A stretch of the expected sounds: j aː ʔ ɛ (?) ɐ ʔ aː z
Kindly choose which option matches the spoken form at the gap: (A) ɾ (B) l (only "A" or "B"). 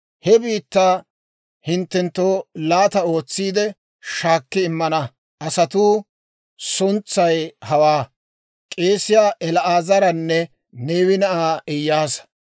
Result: B